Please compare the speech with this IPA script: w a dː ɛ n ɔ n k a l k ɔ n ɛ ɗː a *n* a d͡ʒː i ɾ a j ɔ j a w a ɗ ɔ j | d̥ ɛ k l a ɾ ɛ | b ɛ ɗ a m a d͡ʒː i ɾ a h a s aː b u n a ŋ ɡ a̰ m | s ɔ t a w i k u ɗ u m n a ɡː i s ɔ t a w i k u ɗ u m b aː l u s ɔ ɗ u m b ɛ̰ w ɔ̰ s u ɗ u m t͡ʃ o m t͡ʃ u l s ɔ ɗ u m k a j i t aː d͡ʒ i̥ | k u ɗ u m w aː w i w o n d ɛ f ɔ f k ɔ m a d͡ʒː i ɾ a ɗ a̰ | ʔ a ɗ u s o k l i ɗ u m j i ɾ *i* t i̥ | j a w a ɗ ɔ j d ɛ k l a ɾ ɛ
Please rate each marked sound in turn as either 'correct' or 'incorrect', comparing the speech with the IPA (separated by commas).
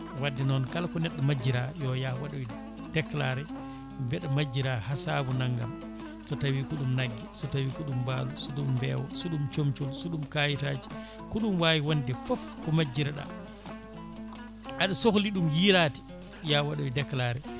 incorrect, incorrect